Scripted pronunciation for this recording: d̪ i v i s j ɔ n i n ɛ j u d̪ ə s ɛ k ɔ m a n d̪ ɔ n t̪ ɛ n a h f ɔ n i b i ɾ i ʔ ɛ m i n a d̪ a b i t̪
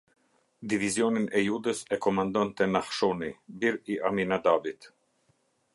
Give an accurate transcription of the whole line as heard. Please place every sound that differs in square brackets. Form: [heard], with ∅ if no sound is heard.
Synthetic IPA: d̪ i v i [z] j ɔ n i n ɛ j u d̪ ə s ɛ k ɔ m a n d̪ ɔ n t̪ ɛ n a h [ʃ] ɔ n i b i ɾ i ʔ [a] m i n a d̪ a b i t̪